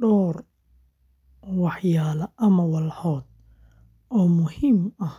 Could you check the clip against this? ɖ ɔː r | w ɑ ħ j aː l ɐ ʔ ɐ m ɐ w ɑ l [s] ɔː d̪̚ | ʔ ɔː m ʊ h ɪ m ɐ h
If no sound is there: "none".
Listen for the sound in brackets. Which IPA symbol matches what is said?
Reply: ħ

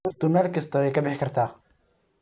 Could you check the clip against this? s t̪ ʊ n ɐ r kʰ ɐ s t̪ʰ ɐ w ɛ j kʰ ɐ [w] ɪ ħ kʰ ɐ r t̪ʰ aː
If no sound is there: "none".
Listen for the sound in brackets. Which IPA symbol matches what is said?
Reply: b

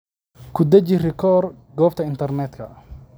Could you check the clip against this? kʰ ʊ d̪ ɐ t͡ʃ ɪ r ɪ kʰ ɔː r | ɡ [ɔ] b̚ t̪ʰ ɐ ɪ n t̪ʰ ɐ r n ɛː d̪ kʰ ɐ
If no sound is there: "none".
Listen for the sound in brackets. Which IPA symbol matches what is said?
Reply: ɔː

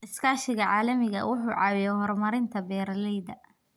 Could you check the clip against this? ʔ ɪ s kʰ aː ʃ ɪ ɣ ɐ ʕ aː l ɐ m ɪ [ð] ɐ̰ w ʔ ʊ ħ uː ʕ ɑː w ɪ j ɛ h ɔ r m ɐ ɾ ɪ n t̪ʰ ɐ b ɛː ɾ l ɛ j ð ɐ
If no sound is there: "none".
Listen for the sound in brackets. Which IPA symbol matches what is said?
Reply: ɣ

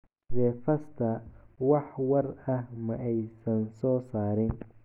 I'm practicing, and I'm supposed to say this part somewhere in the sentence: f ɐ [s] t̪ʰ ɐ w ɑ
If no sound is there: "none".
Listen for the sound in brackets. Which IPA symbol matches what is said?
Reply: s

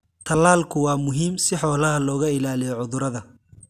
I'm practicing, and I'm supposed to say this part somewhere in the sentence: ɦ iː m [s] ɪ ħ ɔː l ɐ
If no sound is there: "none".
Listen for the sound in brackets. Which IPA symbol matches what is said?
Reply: s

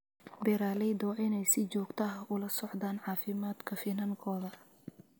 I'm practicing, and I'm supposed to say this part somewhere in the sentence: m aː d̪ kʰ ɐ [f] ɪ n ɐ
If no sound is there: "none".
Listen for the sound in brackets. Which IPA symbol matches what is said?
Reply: f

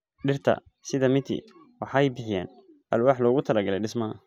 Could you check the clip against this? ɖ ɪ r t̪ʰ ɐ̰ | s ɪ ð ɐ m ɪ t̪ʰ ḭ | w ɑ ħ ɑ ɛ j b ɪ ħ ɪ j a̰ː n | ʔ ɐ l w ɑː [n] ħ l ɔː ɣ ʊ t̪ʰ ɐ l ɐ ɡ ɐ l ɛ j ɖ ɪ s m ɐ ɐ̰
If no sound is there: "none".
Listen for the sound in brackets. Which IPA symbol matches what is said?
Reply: none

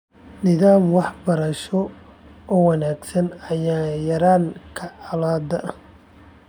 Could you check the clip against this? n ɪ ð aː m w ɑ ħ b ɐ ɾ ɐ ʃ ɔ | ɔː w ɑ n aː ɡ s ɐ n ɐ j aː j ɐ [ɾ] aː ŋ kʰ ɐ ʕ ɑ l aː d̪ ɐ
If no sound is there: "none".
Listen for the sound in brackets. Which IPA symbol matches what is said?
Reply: ɾ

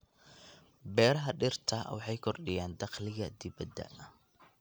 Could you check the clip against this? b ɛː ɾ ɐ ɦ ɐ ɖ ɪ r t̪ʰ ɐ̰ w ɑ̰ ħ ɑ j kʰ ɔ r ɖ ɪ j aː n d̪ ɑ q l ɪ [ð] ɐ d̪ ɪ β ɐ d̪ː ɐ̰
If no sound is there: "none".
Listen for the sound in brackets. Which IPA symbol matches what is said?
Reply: ɣ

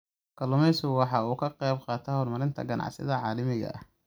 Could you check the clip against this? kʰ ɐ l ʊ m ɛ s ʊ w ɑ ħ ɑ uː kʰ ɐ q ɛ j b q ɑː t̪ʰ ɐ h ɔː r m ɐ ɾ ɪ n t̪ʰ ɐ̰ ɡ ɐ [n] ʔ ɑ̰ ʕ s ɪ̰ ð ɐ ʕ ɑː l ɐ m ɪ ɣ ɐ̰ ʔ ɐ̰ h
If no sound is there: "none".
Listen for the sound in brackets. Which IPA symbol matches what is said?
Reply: n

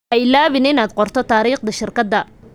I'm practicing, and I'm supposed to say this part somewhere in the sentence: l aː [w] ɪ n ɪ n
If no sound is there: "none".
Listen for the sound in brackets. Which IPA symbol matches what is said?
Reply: β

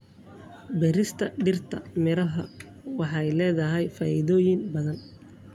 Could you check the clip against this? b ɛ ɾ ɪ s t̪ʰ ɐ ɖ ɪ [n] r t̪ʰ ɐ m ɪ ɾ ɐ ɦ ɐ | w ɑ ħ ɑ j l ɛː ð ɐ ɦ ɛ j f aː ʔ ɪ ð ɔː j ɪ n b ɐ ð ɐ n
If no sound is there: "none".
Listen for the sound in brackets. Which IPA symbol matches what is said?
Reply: none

